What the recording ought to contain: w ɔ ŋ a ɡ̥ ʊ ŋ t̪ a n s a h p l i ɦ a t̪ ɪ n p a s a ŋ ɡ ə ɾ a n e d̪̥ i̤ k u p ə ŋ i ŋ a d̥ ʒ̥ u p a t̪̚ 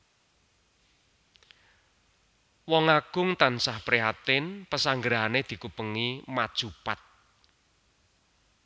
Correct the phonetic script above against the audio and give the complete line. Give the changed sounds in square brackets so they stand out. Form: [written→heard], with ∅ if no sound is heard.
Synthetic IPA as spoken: w ɔ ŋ a ɡ̥ ʊ ŋ t̪ a n s a h p [l→ɾ] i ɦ a t̪ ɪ n p [a→ə] s a ŋ ɡ ə ɾ a n e d̪̥ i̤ k u p ə ŋ i [ŋ→m] a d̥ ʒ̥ u p a t̪̚